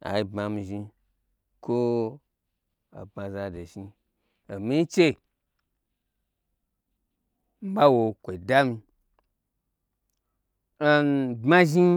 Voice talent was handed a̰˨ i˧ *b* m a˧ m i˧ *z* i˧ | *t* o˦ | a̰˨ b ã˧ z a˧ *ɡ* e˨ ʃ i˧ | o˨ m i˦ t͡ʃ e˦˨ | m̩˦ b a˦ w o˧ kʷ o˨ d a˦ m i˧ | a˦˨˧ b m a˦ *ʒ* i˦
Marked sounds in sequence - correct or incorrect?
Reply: correct, incorrect, incorrect, incorrect, correct

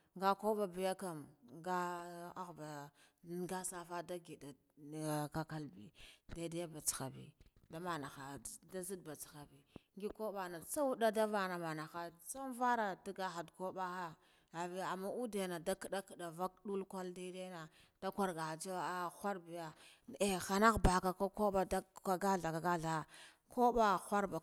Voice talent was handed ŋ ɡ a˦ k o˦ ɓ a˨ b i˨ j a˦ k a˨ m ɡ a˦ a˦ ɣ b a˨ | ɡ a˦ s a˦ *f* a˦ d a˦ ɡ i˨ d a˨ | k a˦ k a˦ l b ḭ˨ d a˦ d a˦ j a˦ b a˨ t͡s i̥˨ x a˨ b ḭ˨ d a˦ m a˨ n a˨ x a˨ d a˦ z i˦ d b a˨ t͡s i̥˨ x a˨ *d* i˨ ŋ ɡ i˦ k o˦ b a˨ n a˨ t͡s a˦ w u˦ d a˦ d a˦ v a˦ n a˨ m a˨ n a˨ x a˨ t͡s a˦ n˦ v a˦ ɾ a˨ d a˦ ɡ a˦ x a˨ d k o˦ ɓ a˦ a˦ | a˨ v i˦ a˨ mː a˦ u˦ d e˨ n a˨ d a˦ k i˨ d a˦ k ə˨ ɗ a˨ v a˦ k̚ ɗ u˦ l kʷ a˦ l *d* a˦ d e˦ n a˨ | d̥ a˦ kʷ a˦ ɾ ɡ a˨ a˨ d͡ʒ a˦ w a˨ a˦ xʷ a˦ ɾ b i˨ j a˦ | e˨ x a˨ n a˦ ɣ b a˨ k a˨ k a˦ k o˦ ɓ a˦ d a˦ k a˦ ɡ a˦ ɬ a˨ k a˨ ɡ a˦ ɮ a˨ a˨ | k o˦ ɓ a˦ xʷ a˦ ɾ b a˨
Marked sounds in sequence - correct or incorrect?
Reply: correct, incorrect, correct

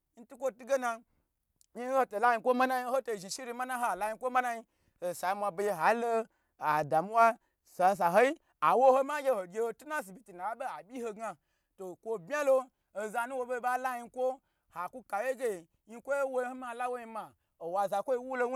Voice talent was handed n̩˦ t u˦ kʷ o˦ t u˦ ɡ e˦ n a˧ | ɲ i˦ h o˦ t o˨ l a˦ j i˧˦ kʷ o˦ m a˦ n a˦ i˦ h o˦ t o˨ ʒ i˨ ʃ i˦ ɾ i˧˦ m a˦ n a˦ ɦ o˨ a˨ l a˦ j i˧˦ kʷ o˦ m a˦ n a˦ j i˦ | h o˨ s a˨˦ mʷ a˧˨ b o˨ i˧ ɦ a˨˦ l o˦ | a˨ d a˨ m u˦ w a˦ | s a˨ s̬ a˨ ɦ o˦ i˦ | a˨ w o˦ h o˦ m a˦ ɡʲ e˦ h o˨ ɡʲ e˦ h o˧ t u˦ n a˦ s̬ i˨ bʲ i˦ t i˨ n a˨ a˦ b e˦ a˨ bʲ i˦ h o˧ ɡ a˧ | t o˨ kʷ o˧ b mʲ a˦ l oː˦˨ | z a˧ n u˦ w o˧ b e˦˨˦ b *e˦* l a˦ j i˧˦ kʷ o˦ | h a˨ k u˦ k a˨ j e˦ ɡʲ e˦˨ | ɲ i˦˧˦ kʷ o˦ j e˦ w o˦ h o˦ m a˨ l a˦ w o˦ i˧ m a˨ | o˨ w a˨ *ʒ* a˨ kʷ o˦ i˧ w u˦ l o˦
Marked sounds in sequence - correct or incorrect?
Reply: incorrect, incorrect

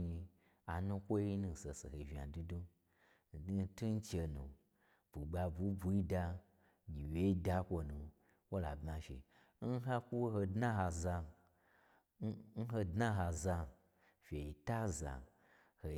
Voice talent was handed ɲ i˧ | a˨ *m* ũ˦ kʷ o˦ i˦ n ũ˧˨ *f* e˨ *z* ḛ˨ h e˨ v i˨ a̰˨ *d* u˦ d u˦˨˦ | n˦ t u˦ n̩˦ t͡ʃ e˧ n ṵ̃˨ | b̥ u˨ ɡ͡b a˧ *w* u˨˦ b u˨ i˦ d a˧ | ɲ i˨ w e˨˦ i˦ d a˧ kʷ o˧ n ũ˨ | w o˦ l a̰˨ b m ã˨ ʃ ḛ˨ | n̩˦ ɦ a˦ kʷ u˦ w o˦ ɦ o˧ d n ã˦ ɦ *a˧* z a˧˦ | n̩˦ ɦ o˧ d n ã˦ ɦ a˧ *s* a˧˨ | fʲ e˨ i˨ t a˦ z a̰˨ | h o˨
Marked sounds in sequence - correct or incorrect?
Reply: incorrect, incorrect, incorrect, correct, incorrect, correct, incorrect

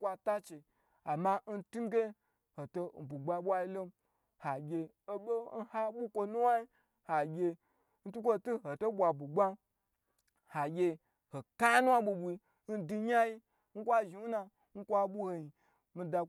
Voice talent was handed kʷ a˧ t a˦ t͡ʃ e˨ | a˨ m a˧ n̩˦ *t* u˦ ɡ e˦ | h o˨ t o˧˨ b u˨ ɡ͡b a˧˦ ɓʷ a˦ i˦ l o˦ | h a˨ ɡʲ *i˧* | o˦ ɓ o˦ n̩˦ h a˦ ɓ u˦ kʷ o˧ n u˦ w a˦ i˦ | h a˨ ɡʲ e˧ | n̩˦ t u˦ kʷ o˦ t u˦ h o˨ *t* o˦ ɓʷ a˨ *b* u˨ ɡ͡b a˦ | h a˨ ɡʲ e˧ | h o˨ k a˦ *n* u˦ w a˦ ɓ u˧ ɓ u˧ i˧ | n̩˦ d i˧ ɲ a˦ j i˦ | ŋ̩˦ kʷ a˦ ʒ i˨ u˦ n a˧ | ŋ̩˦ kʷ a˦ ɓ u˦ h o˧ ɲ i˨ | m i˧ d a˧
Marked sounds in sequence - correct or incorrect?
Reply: correct, incorrect, correct, correct, correct

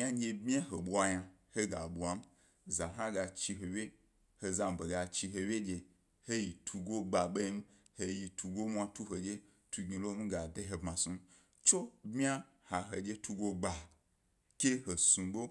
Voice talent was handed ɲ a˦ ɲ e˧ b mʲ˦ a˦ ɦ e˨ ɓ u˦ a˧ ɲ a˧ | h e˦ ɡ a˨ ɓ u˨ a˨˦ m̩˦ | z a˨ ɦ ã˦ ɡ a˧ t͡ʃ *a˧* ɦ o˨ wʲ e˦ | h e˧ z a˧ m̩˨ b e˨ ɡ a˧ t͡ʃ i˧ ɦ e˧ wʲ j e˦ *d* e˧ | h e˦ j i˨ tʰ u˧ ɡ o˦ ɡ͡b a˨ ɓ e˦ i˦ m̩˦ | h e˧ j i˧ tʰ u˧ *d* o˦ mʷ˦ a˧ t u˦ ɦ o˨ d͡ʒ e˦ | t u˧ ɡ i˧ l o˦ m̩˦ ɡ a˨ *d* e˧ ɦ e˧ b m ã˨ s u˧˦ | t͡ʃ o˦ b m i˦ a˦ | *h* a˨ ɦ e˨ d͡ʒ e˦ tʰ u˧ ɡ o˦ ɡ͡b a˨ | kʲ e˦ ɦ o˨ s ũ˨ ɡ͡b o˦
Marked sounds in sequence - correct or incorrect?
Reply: incorrect, incorrect, incorrect, correct, correct

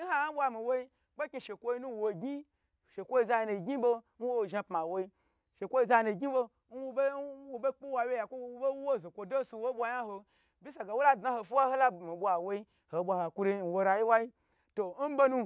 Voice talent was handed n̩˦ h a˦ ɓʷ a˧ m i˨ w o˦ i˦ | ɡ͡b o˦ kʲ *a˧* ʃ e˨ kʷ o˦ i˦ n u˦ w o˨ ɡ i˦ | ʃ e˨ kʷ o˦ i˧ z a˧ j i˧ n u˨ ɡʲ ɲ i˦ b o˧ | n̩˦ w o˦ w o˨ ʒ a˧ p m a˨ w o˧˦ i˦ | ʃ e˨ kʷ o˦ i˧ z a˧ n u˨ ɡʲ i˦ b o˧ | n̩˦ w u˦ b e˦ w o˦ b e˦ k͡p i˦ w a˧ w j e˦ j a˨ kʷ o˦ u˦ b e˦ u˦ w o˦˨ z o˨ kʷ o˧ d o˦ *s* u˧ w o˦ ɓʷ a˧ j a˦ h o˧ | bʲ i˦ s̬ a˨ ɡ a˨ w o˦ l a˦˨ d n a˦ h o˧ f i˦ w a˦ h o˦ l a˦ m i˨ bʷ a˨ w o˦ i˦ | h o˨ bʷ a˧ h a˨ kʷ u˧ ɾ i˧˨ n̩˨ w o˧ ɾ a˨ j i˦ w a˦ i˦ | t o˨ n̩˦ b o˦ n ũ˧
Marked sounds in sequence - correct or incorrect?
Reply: incorrect, correct

